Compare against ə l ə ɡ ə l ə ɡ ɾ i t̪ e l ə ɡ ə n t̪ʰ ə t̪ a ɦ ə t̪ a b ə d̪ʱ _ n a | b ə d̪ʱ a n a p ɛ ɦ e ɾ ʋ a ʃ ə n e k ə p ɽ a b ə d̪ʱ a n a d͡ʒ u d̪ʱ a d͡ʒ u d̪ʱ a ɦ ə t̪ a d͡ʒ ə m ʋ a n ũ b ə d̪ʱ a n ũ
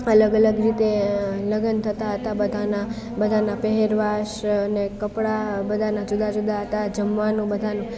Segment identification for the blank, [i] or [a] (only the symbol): a